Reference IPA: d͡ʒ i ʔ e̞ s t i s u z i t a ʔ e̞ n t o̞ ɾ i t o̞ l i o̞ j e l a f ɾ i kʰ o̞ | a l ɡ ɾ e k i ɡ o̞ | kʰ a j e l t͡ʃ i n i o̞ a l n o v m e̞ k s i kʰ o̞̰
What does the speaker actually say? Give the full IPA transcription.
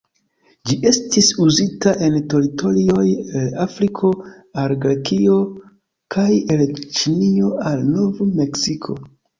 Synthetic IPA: d͡ʒ i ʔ e̞ s t i s u z i t a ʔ e̞ n t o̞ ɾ i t o̞ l i o̞ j e l a f ɾ i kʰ o̞ | a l ɡ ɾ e k i o̞ | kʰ a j e l t͡ʃ i n i o̞ a l n o v m e̞ k s i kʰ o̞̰